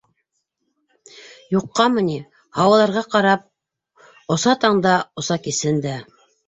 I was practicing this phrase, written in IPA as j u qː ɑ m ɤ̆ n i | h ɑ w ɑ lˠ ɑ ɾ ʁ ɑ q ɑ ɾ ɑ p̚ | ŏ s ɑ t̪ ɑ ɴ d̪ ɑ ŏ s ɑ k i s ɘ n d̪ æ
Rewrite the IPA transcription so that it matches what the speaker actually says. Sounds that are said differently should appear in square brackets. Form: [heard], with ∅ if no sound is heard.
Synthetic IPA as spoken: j u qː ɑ m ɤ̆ n i | h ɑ w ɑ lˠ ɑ ɾ ʁ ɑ q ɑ ɾ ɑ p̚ | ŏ s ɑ t̪ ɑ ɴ d̪ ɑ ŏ s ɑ k i s ɘ n d̪ æ